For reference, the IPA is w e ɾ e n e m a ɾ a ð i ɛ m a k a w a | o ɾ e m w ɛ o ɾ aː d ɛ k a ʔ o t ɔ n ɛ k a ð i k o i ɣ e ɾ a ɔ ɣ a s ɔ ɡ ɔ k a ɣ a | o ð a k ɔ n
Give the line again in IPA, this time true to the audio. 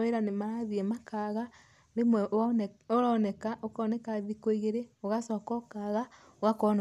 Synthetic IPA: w e ɾ a n e m a ɾ a ð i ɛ m a k a ɣ a | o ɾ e m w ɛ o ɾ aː n ɛ k a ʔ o k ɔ n ɛ k a ð i k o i ɣ e ɾ e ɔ ɣ a s ɔ k ɔ k a ɣ a | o ɣ a k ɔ n